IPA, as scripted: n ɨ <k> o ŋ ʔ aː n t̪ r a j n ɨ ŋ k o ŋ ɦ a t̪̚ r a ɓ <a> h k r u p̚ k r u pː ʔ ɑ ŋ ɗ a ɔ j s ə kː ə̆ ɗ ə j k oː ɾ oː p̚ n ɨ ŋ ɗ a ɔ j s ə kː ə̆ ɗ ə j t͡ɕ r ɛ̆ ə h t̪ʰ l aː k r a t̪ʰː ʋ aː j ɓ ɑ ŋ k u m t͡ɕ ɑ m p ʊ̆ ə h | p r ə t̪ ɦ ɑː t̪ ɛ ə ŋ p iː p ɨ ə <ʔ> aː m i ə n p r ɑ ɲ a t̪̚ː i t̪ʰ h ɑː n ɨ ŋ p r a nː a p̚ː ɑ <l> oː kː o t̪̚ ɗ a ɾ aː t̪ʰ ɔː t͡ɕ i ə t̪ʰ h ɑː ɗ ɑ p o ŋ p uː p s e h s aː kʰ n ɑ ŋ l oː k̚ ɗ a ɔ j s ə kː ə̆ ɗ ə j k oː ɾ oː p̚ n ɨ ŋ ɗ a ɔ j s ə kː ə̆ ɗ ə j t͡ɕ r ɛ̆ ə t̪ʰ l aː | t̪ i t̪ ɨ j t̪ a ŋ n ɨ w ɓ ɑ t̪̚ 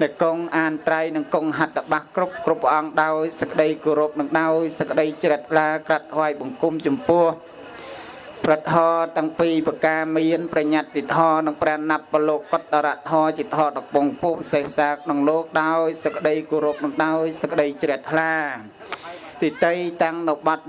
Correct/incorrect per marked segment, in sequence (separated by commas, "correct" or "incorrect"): correct, correct, incorrect, correct